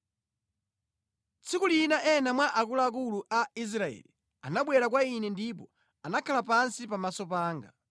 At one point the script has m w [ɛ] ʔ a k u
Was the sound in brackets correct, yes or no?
no